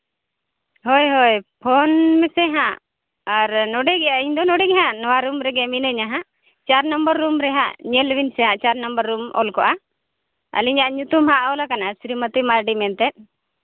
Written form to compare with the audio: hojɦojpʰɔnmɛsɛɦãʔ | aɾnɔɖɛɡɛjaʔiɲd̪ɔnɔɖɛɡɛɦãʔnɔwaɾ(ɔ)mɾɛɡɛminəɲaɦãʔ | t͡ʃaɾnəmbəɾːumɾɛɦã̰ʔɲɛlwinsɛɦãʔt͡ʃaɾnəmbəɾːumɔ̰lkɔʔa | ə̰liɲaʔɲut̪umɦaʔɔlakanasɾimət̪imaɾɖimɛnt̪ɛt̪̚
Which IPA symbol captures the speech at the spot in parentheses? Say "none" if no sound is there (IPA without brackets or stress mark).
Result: u